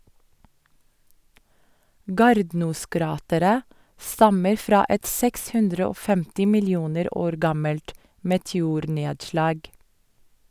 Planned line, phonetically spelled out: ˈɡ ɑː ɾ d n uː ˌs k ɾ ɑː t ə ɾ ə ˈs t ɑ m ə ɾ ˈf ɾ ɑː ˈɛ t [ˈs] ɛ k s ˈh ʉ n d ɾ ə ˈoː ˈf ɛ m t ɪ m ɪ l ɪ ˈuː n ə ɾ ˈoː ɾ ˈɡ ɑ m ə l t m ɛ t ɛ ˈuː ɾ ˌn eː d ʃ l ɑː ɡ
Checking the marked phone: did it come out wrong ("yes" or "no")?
no